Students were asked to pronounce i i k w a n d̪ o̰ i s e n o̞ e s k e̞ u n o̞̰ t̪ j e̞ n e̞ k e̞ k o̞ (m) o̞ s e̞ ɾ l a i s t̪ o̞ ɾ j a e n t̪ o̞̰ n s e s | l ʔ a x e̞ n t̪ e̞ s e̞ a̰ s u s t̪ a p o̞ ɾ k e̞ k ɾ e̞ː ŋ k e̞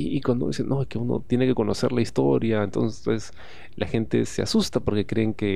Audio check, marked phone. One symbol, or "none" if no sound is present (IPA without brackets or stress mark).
n